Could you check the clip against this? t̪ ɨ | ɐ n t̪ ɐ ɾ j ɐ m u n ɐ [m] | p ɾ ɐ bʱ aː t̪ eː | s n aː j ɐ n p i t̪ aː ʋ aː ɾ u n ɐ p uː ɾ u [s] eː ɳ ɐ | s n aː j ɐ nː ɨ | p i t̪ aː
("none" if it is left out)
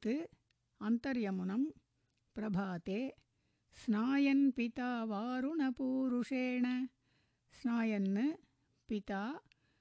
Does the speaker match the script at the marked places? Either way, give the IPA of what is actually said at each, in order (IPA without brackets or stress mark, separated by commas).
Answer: m, ʂ